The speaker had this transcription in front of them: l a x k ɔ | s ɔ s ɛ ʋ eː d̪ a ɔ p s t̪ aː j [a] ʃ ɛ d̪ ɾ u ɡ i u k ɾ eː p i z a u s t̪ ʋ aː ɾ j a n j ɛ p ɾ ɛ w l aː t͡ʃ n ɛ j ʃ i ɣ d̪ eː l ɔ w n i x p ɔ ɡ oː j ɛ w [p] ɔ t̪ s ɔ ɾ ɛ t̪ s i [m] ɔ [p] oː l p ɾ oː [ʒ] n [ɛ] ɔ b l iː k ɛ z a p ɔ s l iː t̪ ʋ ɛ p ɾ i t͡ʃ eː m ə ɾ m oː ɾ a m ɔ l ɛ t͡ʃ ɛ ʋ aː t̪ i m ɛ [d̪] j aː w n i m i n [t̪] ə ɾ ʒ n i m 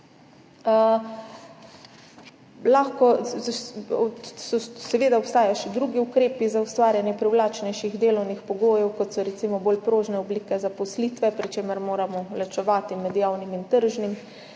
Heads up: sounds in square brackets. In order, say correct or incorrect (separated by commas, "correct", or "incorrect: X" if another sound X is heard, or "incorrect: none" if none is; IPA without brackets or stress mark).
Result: correct, incorrect: k, correct, incorrect: b, correct, correct, correct, correct